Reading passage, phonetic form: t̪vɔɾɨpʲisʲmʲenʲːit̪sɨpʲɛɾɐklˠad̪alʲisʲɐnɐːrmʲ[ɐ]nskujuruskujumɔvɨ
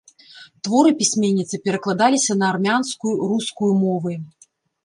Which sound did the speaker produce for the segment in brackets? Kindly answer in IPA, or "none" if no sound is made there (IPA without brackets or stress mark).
a